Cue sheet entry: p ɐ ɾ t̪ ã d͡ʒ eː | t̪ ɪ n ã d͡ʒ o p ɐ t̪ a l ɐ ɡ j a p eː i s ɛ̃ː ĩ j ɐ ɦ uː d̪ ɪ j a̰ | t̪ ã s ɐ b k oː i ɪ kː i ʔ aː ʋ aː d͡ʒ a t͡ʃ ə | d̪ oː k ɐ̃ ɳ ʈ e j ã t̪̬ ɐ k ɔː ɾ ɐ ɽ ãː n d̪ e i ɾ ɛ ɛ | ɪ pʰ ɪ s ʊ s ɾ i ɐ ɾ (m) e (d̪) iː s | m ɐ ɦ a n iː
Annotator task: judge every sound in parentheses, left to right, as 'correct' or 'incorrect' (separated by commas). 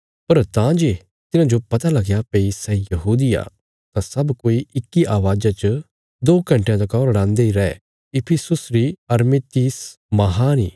correct, incorrect